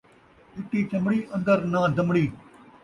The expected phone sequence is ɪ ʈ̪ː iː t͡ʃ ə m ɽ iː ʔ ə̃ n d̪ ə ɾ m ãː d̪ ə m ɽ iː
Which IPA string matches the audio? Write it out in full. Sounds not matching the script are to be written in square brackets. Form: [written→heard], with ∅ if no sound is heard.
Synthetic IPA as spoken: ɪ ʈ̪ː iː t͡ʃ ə m ɽ iː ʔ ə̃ n d̪ ə ɾ [m→n] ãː d̪ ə m ɽ iː